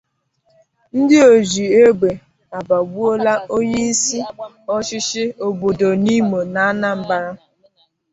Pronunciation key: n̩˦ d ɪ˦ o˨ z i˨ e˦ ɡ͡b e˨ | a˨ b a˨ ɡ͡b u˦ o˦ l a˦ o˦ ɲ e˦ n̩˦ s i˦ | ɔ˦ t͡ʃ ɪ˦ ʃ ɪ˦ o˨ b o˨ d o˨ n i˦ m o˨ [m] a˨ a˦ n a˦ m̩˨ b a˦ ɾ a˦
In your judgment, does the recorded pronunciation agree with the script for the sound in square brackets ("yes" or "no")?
no